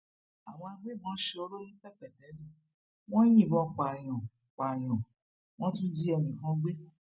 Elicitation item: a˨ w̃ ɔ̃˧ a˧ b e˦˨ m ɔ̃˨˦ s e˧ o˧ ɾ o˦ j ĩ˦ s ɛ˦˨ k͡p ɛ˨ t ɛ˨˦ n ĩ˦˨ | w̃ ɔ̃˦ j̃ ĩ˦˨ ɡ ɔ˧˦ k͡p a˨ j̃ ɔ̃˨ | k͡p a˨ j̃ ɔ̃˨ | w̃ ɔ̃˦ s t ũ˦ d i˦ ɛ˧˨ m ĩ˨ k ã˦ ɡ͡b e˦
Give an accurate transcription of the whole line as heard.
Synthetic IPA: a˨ w̃ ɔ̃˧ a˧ ɡ͡b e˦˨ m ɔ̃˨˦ ʃ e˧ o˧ ɾ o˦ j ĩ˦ s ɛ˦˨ k͡p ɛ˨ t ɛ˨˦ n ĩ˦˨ | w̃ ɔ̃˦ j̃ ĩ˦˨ b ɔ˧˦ k͡p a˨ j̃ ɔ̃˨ | k͡p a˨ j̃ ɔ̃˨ | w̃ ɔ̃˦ t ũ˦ d͡ʒ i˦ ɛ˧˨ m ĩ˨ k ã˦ ɡ͡b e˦